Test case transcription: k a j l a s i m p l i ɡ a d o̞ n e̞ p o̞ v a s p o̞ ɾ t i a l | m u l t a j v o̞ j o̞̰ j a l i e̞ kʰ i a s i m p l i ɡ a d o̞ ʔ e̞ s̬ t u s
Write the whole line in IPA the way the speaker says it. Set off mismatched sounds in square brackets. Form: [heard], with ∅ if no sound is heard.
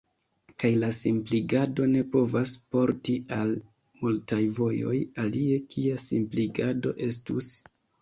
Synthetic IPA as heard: k a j l a s i m p l i ɡ a d o̞ n e̞ p o̞ v a s p o̞ ɾ t i a l | m u l t a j v o̞ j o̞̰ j a l i e̞ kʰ i a s i m p l i ɡ a d o̞ ʔ e̞ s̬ t u s